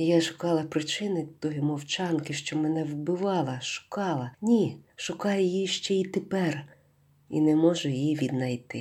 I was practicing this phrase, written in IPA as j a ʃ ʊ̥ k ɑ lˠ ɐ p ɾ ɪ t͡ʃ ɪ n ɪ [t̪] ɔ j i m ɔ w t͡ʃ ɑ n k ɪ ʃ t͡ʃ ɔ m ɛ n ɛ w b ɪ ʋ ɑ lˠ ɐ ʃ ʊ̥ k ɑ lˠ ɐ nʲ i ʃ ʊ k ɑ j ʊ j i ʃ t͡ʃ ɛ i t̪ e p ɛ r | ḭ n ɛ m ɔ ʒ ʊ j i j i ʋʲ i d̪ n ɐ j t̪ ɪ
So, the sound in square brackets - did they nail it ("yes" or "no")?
yes